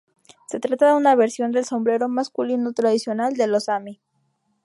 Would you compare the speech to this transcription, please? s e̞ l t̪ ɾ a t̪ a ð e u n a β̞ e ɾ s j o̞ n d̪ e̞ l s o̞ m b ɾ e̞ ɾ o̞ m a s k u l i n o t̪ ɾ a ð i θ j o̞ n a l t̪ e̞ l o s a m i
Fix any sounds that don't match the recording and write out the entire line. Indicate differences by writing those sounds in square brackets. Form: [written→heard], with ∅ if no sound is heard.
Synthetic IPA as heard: s e̞ [l→∅] t̪ ɾ a t̪ a ð e u n a β̞ e ɾ s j o̞ n d̪ e̞ l s o̞ m b ɾ e̞ ɾ o̞ m a s k u l i n o t̪ ɾ a ð i [θ→s] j o̞ n a l [t̪→d̪] e̞ l o s a m i